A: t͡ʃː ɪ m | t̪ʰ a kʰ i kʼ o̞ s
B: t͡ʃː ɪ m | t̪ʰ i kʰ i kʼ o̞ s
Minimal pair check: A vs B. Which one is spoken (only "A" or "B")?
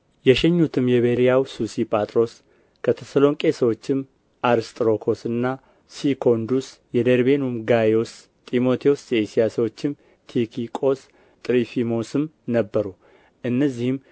B